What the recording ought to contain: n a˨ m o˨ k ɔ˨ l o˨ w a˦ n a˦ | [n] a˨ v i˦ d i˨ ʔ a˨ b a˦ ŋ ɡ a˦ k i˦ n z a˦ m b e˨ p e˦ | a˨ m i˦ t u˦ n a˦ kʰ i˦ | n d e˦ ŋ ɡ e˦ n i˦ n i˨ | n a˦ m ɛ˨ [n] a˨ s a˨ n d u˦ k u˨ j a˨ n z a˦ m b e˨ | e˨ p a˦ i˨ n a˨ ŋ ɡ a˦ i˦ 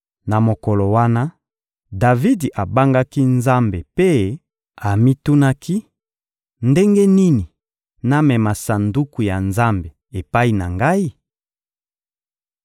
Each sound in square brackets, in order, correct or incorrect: incorrect, incorrect

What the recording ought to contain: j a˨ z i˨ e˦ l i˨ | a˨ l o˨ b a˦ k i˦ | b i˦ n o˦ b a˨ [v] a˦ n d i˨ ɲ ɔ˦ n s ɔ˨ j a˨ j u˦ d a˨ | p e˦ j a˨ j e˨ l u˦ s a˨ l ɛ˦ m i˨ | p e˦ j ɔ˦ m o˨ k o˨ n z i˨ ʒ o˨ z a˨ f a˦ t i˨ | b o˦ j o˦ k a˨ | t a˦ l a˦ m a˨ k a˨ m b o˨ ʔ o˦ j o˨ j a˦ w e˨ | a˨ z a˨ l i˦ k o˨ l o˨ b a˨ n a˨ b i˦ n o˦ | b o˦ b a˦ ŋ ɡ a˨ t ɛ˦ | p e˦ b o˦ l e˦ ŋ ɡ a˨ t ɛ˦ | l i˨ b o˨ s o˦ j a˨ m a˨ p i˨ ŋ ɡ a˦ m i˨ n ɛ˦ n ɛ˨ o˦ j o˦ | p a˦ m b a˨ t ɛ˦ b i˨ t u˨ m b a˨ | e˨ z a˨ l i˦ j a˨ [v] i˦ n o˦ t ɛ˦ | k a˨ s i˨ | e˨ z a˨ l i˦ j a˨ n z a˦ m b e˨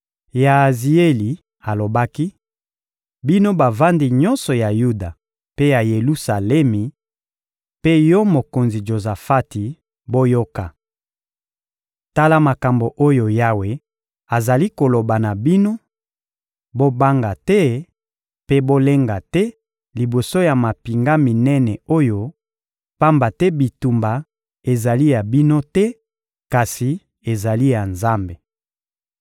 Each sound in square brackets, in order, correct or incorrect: correct, incorrect

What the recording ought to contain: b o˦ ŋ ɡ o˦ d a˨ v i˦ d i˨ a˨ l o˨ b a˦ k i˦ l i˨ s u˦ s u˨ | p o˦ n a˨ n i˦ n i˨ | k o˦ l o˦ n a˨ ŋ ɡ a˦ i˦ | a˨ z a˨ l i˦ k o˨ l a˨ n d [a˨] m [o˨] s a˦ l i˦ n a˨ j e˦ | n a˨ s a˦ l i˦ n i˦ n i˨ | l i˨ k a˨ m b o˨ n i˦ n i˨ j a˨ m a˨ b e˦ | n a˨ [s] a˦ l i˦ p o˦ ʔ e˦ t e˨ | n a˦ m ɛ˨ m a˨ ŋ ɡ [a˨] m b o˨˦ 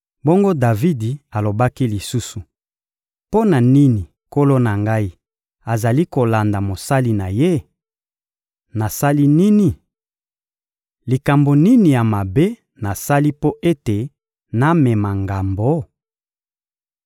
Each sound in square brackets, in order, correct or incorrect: correct, correct, correct, correct

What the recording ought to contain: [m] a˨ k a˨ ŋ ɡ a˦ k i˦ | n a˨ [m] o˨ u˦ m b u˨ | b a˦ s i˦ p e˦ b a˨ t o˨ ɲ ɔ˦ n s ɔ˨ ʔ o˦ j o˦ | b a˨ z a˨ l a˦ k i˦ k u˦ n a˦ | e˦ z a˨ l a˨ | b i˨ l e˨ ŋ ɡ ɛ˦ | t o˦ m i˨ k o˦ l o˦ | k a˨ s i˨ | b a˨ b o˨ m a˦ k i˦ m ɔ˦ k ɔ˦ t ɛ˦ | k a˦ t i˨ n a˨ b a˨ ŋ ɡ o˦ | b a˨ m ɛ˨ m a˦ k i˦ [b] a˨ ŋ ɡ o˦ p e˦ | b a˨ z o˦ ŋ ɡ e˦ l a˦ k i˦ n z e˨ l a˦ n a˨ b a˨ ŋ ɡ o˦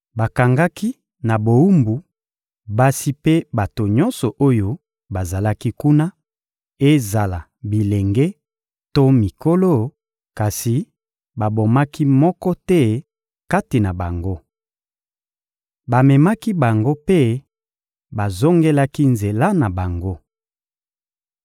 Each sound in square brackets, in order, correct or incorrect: incorrect, incorrect, correct

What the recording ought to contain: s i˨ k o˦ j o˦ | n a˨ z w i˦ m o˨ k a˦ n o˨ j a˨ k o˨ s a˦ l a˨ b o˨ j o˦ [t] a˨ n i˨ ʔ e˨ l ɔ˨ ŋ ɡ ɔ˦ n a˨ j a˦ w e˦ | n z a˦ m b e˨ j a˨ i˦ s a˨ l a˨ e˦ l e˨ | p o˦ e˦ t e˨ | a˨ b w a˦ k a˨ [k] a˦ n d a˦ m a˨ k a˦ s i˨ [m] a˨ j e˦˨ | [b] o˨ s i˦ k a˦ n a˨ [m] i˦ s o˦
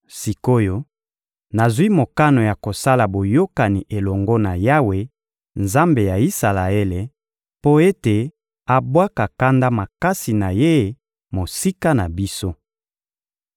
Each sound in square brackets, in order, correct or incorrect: incorrect, correct, incorrect, incorrect, incorrect

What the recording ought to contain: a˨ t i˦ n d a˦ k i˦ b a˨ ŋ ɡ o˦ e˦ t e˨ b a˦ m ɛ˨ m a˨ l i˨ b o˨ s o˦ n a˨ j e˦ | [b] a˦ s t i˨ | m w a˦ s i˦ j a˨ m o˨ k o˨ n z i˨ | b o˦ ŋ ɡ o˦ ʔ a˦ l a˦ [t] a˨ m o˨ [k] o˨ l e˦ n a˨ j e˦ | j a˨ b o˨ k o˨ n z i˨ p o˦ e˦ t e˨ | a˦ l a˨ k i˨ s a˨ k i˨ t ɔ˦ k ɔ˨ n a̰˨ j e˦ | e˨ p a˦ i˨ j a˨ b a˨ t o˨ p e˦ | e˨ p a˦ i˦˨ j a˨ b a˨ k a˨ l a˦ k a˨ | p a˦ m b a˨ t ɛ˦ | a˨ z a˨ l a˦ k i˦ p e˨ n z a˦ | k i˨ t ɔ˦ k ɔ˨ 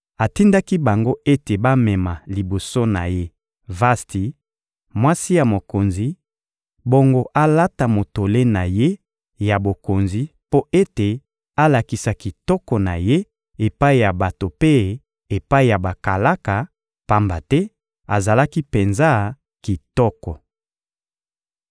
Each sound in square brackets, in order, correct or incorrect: incorrect, correct, incorrect

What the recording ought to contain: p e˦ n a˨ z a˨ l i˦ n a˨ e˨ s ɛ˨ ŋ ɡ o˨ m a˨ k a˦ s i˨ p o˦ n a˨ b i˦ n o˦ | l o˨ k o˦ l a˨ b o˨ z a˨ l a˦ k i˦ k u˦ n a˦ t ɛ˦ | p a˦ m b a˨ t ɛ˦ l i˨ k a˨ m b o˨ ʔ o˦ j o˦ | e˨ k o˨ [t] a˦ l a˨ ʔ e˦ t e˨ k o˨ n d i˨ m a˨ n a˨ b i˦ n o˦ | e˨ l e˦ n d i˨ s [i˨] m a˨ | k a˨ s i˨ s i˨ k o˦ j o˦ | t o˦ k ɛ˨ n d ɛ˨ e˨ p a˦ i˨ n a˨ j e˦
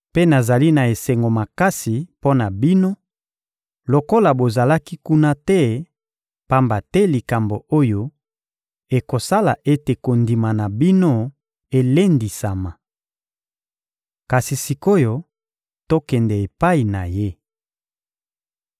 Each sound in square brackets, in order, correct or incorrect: incorrect, incorrect

